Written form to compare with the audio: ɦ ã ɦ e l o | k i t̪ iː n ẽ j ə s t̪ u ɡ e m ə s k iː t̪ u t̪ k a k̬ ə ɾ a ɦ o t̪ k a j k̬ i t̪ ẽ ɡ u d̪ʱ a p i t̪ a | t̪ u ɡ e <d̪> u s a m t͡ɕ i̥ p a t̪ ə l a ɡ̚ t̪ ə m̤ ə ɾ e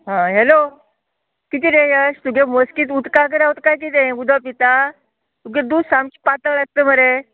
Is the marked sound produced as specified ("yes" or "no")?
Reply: yes